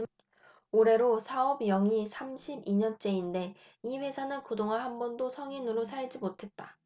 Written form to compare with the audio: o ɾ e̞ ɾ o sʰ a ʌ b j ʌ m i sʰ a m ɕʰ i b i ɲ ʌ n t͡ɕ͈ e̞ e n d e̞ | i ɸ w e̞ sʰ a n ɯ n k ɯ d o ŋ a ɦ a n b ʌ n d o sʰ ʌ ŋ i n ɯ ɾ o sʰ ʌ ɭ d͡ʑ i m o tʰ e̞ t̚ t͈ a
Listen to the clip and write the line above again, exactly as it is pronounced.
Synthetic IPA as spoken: o ɾ e̞ ɾ o sʰ a ʌ b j ʌ ŋ i sʰ a m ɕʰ i b i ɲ ʌ n t͡ɕ͈ e̞ i n d e̞ | i ɸ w e̞ sʰ a n ɯ n k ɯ d o ŋ a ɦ a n b ʌ n d o sʰ ʌ ŋ i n ɯ ɾ o sʰ a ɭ d͡ʑ i m o tʰ e̞ t̚ t͈ a